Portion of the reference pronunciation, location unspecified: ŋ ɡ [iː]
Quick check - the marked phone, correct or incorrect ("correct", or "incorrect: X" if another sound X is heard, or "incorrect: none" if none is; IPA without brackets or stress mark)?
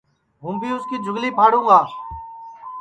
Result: incorrect: aː